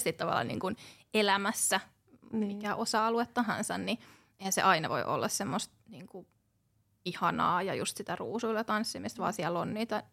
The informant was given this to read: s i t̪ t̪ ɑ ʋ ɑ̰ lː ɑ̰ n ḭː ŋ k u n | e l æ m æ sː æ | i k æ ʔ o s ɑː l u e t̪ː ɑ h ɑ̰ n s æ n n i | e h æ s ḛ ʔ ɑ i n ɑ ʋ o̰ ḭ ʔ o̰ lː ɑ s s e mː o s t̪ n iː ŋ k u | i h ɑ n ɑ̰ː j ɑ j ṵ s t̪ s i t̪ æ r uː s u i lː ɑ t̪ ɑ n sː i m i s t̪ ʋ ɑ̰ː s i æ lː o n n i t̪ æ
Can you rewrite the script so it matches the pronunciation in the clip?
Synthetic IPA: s i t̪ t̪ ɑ ʋ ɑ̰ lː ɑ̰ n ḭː ŋ k u n | e l æ m æ sː æ | i k æ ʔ o s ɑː l u e t̪ː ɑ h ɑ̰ n s æ n n i | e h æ s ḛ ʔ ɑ i n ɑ ʋ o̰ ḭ ʔ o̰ lː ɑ s s e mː o s t̪ n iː ŋ k u | i h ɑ n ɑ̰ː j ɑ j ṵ s t̪ s i t̪ æ r uː s u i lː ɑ t̪ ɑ n sː i m i s t̪ ʋ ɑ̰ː s i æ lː o n n iː t̪ æ